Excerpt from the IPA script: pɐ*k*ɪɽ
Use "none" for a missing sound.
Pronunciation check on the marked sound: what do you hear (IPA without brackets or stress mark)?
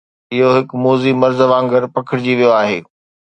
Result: kʰ